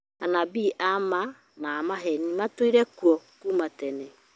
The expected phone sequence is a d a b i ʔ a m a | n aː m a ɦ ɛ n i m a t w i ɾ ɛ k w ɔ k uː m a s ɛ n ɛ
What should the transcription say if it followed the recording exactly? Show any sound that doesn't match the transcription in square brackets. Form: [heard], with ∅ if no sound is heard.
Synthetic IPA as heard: a [n] a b i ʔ a m a | n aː m a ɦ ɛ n i m a t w i ɾ ɛ k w ɔ k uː m a [t] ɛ n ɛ